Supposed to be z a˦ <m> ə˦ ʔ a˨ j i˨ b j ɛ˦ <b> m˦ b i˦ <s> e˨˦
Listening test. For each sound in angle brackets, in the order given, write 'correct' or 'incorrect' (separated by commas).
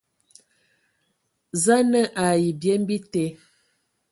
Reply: incorrect, incorrect, incorrect